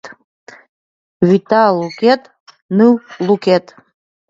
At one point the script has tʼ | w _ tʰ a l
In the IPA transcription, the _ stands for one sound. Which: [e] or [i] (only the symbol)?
i